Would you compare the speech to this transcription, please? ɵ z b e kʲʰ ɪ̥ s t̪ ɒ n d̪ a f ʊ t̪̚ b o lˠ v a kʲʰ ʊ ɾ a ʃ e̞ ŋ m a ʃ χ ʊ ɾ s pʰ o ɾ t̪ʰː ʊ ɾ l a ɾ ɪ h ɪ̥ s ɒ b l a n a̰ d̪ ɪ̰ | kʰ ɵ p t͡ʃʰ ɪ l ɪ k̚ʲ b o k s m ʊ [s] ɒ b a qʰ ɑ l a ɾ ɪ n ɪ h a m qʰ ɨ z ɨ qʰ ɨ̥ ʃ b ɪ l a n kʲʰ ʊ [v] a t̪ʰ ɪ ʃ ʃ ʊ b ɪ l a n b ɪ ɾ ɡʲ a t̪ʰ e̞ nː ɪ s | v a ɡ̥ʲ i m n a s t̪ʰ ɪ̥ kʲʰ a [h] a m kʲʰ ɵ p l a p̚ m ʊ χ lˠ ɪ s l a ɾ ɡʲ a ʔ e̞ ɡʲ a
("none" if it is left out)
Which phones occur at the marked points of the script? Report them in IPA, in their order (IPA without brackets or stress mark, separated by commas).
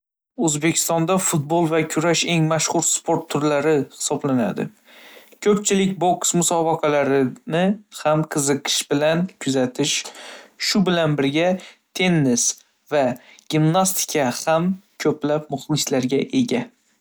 s, z, h